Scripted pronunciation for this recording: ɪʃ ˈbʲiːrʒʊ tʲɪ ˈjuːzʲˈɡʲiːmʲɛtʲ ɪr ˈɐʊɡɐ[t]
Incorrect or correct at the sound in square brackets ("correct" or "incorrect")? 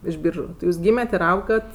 correct